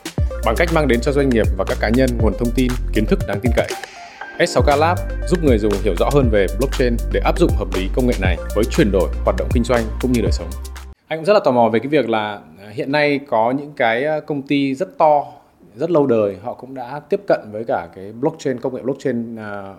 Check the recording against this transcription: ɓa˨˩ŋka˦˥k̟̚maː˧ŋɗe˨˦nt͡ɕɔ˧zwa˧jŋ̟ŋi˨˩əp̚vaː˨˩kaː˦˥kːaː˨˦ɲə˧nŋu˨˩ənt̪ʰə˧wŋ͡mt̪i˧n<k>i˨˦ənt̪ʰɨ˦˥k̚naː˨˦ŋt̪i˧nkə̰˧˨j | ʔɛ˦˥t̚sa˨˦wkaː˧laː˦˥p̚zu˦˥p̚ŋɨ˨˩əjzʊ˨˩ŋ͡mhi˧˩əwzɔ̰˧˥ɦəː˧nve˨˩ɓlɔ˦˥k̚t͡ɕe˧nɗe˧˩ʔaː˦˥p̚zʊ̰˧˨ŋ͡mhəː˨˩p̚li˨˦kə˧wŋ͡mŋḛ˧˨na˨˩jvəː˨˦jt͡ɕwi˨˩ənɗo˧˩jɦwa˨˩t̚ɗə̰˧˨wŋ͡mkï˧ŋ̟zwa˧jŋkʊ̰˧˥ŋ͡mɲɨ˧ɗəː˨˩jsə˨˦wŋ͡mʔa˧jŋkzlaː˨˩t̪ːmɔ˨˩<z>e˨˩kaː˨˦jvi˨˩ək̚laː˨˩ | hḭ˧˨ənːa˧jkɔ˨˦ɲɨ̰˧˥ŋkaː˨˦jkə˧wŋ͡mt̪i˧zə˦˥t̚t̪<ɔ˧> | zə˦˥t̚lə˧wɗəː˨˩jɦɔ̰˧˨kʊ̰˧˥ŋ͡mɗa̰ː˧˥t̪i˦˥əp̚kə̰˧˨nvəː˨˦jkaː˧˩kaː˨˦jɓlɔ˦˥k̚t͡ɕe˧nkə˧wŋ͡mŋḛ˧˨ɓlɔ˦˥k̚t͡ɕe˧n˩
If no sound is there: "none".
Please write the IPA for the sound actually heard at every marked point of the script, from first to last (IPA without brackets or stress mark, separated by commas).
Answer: k, v, ɔ˧